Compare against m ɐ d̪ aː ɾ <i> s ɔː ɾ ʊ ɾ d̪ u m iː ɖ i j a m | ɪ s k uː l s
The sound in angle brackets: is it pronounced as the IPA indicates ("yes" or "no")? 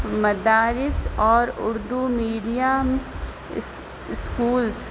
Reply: no